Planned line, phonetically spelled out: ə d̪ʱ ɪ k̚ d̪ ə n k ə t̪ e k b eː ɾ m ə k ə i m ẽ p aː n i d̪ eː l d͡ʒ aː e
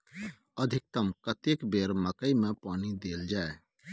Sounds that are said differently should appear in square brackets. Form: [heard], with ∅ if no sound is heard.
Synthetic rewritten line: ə d̪ʱ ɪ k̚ [t̪] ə [m] k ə t̪ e k b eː ɾ m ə k ə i m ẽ p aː n i d̪ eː l d͡ʒ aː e

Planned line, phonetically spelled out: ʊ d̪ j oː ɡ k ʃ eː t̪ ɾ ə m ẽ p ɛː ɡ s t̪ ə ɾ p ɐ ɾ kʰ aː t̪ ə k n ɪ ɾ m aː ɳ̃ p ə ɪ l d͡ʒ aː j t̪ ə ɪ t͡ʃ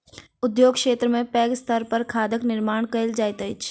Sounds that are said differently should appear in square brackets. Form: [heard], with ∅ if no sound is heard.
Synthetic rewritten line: ʊ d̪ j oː ɡ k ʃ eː t̪ ɾ ə m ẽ p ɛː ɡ s t̪ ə ɾ p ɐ ɾ kʰ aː [d̪] ə k n ɪ ɾ m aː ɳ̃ [k] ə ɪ l d͡ʒ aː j t̪ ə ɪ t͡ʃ

